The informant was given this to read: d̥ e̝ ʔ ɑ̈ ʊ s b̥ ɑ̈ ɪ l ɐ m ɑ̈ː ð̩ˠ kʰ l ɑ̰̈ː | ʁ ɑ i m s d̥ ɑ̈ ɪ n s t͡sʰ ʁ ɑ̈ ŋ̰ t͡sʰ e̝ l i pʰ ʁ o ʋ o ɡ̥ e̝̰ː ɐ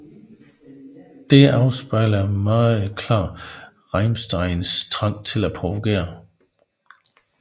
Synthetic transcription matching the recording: d̥ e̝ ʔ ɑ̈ ʊ s b̥ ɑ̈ ɪ l ɐ m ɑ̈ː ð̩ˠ kʰ l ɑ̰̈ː | ʁ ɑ ɪ m s d̥ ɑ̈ ɪ n s t͡sʰ ʁ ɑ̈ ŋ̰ t͡sʰ e̝ l æ pʰ ʁ o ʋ o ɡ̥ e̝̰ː ɐ